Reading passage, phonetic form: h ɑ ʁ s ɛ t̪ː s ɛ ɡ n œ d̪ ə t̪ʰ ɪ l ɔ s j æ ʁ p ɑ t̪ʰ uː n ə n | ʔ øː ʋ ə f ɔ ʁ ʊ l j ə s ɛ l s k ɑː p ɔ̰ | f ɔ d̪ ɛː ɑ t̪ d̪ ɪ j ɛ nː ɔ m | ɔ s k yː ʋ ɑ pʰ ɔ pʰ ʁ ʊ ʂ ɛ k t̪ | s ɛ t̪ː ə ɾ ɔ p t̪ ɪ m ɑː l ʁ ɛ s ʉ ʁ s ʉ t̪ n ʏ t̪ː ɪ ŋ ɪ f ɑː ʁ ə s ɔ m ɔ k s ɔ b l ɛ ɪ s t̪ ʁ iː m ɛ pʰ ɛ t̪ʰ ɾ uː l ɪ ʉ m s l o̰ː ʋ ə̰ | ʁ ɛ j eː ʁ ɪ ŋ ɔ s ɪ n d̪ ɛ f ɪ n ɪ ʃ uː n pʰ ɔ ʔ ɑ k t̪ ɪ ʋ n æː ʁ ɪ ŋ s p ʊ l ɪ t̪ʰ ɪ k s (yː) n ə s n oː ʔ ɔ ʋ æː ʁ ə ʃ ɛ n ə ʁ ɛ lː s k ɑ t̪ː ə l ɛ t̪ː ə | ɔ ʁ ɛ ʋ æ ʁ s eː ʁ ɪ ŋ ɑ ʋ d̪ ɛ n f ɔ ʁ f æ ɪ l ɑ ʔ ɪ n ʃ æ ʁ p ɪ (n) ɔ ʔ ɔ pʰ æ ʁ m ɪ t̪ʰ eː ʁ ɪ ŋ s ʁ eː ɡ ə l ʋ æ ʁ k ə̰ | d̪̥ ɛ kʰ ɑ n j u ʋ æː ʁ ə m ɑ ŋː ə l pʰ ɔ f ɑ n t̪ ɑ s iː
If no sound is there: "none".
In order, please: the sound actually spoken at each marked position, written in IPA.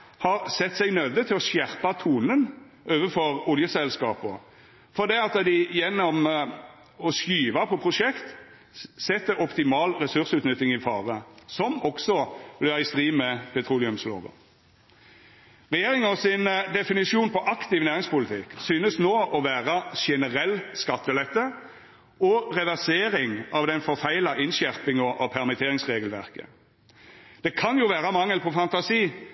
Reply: yː, ŋ

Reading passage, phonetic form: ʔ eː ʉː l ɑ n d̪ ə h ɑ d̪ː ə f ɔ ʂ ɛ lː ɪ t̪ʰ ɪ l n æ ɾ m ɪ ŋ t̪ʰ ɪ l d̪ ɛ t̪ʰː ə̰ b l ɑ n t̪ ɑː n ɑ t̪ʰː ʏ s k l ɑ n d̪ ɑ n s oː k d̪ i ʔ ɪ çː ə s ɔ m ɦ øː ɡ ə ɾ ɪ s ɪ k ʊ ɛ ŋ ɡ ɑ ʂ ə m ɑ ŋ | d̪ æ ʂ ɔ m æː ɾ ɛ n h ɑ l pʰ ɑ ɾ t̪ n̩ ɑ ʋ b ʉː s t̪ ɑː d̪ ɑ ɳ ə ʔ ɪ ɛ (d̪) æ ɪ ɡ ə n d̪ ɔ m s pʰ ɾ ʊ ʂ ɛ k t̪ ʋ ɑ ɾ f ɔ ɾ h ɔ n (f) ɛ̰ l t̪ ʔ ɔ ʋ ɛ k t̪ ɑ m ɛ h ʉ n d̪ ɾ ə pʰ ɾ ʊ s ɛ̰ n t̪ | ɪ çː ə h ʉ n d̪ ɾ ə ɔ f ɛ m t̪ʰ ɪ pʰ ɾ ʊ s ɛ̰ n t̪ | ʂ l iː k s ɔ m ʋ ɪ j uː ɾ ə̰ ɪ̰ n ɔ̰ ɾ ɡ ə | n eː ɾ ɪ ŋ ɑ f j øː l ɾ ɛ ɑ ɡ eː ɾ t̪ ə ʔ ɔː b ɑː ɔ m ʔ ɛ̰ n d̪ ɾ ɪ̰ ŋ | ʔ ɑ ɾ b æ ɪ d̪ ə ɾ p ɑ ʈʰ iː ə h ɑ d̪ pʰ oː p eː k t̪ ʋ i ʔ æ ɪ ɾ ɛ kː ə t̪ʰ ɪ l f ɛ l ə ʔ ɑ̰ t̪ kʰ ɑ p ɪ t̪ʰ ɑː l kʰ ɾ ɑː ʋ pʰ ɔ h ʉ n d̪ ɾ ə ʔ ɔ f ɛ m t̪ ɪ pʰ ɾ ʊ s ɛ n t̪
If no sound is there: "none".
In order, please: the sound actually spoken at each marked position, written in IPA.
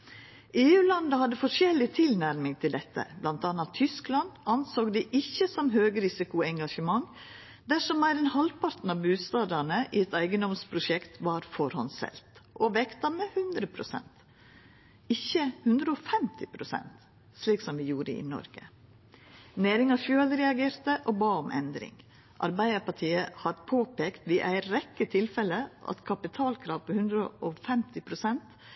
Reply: t̪, s

